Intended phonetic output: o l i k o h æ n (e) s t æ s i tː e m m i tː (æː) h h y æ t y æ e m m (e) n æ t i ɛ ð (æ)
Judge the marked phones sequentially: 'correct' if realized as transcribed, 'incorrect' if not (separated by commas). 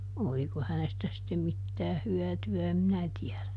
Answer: correct, correct, incorrect, correct